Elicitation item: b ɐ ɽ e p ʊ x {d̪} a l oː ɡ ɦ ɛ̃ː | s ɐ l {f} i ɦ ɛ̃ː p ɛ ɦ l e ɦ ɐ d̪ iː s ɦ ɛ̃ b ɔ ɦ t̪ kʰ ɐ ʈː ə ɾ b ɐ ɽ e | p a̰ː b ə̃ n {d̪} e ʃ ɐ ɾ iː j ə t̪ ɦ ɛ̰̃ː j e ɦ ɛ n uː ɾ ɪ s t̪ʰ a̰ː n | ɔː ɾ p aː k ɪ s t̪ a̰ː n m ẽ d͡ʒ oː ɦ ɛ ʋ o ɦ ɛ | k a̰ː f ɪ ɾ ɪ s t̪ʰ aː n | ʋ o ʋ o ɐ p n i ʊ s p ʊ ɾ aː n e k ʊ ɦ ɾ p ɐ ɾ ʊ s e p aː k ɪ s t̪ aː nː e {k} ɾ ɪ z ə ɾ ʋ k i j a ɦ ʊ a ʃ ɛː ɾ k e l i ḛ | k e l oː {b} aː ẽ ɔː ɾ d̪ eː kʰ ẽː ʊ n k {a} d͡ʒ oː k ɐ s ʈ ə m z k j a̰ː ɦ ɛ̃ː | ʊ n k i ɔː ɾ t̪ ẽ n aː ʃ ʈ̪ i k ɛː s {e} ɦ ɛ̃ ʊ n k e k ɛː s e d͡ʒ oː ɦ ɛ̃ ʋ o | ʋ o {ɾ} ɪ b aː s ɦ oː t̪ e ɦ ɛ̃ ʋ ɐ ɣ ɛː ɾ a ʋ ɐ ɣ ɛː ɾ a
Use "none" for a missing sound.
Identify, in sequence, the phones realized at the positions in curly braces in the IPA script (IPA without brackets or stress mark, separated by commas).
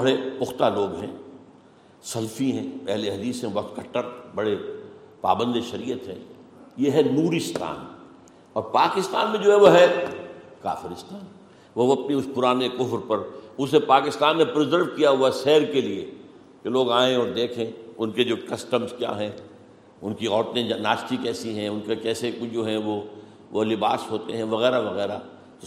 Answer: t̪, f, d̪, p, ɡ, e, i, l